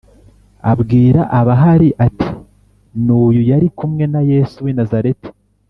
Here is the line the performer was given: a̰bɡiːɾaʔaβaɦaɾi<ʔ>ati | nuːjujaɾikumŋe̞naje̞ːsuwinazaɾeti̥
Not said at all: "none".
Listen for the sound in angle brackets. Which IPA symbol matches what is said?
ʔ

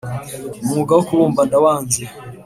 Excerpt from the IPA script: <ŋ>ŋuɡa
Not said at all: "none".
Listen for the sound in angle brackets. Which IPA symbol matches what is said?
m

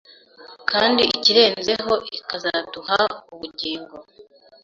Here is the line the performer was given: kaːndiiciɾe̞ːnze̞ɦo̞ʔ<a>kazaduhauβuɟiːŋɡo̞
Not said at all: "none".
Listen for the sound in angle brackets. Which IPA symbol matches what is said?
i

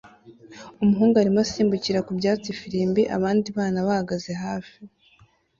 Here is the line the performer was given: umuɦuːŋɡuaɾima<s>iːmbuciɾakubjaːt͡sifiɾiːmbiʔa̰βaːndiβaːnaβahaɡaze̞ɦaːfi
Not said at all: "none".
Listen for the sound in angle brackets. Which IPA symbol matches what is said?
s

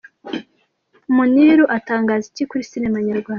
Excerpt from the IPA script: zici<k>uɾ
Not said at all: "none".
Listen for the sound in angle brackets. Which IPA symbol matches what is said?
k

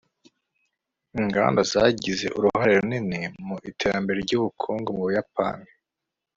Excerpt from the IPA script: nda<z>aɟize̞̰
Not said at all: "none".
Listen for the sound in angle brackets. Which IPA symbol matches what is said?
z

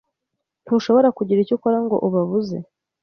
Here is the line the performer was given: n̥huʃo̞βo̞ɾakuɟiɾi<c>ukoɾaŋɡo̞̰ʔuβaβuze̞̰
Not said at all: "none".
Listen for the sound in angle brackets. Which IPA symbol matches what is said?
c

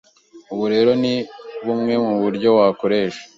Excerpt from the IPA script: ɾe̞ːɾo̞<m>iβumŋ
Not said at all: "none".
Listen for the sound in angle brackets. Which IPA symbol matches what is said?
n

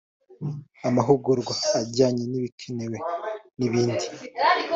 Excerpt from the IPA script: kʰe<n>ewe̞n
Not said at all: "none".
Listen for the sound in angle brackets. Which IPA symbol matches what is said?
n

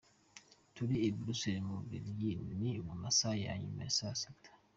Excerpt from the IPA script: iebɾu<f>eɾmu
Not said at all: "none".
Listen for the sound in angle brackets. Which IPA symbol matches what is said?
s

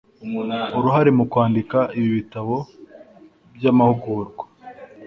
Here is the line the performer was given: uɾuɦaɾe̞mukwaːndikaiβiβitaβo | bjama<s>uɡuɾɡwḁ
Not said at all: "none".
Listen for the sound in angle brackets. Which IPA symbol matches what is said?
h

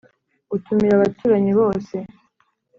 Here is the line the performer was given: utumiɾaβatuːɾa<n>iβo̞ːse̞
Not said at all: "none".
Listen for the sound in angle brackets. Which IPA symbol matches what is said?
ɲ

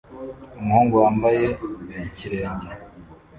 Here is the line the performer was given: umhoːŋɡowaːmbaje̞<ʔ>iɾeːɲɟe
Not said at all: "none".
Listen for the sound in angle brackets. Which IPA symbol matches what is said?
c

